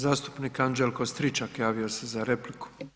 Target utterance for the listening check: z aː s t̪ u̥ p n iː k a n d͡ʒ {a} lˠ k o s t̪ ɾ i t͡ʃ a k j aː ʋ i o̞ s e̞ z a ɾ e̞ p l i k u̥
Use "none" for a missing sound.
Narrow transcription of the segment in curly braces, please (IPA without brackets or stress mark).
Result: e